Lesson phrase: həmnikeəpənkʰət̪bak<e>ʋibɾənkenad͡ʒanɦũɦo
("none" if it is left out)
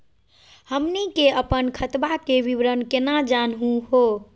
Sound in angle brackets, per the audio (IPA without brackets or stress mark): e